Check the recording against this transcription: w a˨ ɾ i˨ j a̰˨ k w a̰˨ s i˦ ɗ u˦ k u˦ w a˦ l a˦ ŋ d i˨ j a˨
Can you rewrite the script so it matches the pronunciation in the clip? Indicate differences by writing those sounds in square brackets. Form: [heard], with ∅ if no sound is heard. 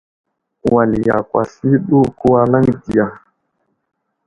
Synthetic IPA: w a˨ [l] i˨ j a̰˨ k w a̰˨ s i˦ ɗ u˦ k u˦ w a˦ l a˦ ŋ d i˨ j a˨